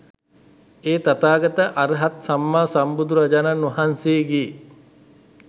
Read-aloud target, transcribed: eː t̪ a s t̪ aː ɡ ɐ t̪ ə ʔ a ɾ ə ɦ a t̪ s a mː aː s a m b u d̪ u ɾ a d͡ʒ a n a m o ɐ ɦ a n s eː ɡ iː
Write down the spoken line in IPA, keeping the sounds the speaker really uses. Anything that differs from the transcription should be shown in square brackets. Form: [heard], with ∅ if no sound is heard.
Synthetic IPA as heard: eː t̪ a [∅] t̪ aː ɡ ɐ t̪ ə ʔ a ɾ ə ɦ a t̪ s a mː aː s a m b u d̪ u ɾ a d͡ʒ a n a [n] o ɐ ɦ a n s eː ɡ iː